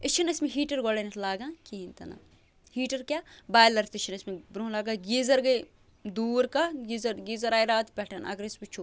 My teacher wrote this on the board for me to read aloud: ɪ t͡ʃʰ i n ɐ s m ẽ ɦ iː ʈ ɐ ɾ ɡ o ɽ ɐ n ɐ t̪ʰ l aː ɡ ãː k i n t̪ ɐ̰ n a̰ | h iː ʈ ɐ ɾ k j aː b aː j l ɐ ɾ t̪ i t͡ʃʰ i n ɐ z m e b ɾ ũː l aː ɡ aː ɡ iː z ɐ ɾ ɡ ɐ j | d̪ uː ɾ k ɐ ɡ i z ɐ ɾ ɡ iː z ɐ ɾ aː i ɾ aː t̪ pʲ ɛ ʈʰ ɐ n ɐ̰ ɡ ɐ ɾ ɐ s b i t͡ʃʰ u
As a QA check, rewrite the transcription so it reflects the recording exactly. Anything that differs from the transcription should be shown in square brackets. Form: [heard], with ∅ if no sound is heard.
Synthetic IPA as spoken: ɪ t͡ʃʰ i n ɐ s m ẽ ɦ iː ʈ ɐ ɾ ɡ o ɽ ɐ n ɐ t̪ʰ l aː ɡ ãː k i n t̪ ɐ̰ n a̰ | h iː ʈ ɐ ɾ k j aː b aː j l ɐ ɾ t̪ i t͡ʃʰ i n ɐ [s] m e b ɾ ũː l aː ɡ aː ɡ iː z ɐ ɾ ɡ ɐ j | d̪ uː ɾ k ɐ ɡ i z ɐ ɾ ɡ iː z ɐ ɾ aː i ɾ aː t̪ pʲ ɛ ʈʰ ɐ n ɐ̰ ɡ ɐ ɾ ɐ s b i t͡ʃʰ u